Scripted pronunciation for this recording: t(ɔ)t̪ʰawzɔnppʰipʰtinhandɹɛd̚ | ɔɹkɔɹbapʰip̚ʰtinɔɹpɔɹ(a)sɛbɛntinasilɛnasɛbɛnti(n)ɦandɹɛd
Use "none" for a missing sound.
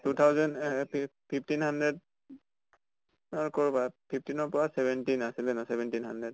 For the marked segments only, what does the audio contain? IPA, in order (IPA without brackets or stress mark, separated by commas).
u, a, n